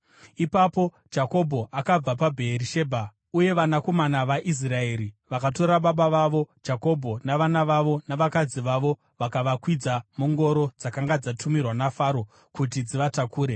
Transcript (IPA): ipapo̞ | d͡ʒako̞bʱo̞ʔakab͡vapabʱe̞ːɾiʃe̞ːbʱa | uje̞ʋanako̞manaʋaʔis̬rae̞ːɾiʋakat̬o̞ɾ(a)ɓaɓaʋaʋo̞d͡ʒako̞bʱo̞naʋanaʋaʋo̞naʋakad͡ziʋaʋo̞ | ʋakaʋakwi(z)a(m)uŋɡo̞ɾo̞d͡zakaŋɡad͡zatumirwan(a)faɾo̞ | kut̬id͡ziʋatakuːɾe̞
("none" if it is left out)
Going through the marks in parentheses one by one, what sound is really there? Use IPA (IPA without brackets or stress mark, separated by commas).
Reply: a, d͡z, m, a